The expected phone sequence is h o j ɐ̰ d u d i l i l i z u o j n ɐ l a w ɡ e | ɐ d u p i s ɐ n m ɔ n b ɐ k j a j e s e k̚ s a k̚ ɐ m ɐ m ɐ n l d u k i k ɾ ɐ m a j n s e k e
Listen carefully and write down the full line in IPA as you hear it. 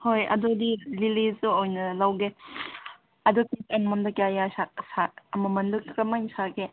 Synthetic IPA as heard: h o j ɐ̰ d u d i l i l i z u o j n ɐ l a w ɡ e | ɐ d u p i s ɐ n m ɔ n d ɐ k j a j a s a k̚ s a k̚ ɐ m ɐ m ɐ n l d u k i k ɾ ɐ m a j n s a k e